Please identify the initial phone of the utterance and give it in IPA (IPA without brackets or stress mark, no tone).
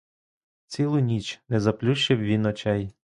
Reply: t͡sʲ